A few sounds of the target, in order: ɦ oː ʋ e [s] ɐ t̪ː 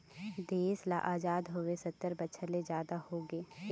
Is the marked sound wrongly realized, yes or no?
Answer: no